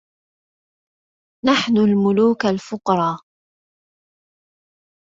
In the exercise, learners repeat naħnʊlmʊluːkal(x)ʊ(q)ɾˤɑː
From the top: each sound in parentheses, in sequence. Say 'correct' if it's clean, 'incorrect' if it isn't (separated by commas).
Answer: incorrect, correct